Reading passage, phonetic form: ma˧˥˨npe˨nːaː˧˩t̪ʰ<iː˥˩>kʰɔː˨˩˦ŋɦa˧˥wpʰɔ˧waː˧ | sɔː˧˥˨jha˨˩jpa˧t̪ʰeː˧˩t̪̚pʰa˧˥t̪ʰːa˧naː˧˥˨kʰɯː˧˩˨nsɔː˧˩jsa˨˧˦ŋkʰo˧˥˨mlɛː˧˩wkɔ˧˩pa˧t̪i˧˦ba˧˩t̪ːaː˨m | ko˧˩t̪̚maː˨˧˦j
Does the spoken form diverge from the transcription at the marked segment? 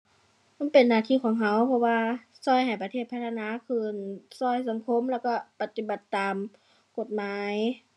yes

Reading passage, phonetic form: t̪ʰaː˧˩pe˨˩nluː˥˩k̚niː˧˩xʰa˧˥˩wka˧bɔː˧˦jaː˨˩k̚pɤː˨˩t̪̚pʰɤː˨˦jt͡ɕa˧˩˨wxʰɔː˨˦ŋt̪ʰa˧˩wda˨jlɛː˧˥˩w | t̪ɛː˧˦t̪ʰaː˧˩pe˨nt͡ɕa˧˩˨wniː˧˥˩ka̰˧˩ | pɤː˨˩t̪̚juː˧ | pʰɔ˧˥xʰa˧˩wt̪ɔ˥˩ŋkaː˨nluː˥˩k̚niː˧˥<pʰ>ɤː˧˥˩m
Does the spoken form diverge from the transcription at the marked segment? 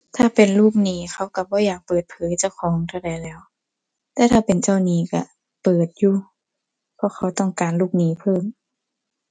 no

